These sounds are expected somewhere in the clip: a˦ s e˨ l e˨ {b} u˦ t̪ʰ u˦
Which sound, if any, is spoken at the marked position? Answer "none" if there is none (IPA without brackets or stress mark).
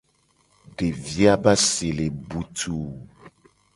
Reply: b